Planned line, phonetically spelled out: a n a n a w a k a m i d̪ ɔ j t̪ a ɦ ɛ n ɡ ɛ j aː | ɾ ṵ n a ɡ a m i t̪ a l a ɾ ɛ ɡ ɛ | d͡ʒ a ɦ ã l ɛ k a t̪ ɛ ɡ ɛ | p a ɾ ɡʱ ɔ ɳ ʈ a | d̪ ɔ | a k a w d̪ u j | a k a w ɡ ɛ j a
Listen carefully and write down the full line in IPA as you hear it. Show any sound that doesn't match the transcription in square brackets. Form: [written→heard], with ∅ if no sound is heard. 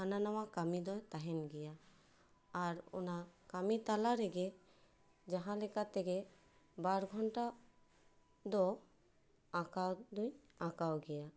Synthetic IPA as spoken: a n a n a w a k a m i d̪ ɔ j t̪ a ɦ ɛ n ɡ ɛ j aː | ɾ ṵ n a [ɡ→k] a m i t̪ a l a ɾ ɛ ɡ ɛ | d͡ʒ a ɦ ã l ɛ k a t̪ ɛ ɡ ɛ | [p→b] a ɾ ɡʱ ɔ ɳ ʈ a | d̪ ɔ | a k a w d̪ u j | a k a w ɡ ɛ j a